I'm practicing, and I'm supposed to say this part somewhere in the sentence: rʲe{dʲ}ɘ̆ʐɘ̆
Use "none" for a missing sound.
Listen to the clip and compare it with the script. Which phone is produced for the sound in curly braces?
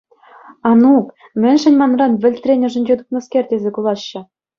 nʲ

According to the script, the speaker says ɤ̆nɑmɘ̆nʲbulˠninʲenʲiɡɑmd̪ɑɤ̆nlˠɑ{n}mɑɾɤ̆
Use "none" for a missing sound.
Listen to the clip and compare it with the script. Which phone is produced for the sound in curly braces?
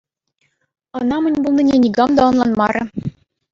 n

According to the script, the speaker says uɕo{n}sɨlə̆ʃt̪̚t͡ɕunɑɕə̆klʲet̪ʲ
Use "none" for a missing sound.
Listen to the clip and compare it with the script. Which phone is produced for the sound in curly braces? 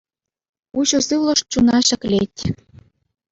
none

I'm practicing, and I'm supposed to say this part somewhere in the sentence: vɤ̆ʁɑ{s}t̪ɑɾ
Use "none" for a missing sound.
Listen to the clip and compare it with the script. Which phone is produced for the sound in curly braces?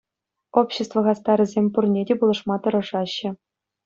s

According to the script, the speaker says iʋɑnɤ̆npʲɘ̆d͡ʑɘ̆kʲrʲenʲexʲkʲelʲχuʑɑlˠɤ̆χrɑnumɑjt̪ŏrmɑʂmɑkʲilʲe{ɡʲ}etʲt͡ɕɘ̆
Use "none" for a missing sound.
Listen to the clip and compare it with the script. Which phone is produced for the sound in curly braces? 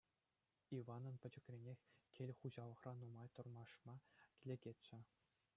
ɡʲ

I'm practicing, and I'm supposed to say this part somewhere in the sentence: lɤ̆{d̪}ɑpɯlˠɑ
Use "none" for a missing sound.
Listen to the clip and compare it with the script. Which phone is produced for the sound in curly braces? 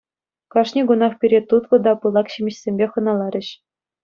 d̪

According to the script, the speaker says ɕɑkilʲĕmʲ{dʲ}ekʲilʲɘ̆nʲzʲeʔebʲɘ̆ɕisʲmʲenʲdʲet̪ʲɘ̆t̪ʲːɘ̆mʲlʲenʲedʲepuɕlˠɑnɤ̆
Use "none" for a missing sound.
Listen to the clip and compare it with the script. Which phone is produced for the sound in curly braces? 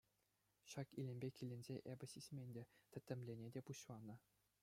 bʲ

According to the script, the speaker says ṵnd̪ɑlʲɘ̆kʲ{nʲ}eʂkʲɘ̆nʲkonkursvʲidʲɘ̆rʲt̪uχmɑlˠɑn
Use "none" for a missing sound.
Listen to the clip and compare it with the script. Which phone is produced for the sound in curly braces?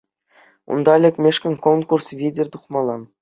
mʲ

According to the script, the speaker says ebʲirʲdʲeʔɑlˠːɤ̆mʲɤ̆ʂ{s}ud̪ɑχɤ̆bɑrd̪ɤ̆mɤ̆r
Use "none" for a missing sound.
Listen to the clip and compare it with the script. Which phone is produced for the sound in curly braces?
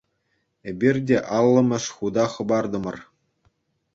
χ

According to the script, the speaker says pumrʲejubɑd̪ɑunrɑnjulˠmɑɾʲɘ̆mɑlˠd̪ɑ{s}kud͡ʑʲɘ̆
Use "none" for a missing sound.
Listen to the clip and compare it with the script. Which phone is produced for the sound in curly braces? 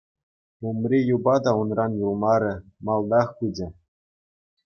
χ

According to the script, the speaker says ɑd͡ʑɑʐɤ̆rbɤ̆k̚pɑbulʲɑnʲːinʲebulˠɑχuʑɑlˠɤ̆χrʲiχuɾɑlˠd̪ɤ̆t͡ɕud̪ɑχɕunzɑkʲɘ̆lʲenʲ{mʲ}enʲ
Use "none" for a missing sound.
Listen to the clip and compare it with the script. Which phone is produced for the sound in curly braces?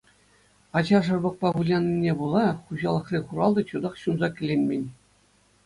mʲ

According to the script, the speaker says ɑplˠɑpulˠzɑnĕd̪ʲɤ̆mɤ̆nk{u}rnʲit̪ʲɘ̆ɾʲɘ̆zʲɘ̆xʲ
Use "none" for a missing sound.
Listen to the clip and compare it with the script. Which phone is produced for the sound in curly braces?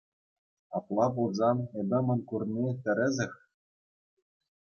u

